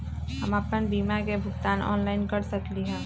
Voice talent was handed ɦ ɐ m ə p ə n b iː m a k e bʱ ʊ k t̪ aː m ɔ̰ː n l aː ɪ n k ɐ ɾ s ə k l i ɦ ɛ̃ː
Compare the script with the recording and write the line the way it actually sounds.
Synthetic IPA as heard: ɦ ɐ m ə p ə n b iː m a k e bʱ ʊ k t̪ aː n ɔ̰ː n l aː ɪ n k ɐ ɾ s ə k l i ɦ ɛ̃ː